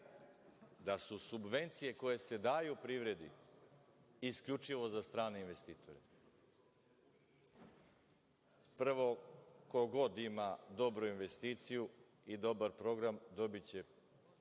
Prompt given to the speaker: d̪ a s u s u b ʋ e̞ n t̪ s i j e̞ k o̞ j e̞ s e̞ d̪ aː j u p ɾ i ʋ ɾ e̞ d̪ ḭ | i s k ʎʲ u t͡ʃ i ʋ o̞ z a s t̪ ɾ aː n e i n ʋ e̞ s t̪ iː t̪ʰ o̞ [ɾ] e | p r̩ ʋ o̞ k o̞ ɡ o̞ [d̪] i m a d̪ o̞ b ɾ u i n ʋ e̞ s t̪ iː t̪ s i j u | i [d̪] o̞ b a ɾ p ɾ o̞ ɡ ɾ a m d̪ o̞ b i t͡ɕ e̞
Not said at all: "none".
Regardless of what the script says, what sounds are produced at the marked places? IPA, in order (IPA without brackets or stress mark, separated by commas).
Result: ɾ, d̪, d̪